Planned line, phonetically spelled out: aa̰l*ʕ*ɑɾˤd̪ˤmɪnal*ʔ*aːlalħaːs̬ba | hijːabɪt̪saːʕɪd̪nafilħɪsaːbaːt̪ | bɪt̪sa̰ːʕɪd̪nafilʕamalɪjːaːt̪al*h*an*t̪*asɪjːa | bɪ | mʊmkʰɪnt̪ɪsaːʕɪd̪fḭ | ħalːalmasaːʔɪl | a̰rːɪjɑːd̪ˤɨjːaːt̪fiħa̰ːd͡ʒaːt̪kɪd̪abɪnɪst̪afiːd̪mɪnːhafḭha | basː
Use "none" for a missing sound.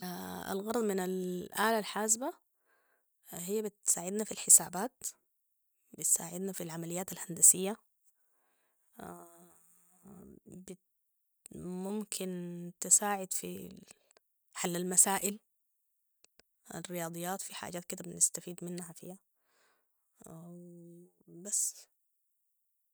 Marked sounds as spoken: ɣ, ʔ, h, d̪

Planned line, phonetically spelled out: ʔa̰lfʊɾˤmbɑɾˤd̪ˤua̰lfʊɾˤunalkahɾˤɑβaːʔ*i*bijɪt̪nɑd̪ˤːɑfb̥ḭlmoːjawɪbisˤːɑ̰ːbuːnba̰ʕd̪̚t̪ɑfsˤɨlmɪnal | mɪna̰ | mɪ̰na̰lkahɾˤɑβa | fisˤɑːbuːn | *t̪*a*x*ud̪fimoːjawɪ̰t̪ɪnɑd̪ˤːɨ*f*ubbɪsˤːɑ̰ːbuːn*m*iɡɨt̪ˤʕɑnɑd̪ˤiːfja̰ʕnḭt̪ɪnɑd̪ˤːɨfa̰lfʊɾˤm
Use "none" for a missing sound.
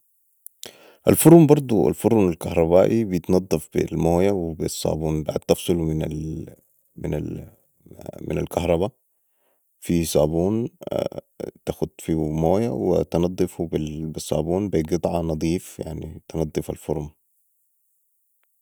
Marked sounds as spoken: i, t̪, x, f, b

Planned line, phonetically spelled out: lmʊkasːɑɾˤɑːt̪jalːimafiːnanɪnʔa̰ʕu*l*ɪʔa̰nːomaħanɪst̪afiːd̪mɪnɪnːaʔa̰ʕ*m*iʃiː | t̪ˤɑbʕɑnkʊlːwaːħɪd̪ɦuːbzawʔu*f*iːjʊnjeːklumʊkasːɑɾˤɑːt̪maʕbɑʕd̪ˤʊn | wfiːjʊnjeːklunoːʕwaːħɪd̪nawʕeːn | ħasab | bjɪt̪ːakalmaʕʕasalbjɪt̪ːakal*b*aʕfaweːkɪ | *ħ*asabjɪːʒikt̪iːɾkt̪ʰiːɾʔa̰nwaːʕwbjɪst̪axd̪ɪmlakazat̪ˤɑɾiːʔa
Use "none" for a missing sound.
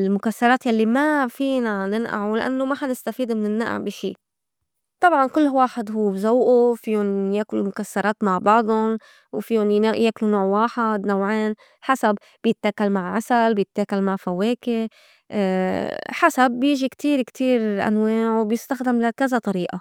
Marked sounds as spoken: l, b, f, m, ħ

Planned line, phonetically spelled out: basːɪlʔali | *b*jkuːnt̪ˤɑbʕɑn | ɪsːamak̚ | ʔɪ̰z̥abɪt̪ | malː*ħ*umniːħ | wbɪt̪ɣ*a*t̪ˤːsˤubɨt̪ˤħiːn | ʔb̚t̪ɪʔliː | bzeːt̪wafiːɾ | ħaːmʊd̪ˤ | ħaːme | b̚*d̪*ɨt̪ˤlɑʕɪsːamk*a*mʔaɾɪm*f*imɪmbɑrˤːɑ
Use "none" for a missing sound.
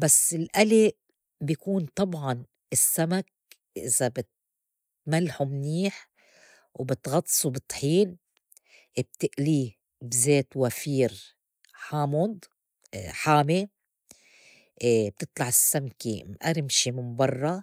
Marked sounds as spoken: b, ħ, ɑ, t̪, i, ʃ

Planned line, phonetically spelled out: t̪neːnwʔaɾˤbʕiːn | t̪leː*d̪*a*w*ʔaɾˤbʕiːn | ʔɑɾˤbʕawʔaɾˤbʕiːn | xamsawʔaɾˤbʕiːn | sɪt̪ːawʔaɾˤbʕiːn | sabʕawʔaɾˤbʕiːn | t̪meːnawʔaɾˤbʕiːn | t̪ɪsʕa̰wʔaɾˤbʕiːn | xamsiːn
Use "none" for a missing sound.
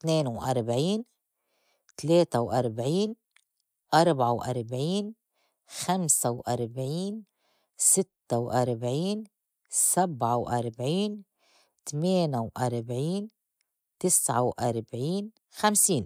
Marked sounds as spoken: t̪, w

